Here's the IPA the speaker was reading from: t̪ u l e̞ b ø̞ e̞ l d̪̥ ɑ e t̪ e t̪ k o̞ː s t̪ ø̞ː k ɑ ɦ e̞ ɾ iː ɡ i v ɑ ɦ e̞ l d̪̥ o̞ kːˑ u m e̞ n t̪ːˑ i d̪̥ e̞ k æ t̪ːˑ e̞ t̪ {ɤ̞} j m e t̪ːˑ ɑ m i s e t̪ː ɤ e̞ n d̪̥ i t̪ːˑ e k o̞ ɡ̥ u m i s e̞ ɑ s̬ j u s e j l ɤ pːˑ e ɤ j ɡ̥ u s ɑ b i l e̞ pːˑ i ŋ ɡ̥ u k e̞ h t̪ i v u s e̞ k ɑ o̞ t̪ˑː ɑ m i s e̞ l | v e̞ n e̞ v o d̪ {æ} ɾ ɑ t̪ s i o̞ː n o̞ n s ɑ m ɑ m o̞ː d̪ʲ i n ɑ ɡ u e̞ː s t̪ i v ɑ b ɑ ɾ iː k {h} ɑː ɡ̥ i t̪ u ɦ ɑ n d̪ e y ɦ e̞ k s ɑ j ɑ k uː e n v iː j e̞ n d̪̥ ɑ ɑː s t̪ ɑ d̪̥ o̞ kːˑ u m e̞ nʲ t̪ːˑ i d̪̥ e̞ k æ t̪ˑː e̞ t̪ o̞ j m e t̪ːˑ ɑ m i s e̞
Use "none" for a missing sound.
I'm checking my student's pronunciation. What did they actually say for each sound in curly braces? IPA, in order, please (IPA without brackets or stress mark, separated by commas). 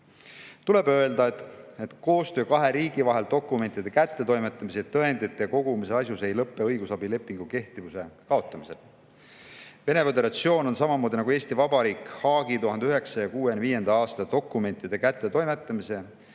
o̞, e, h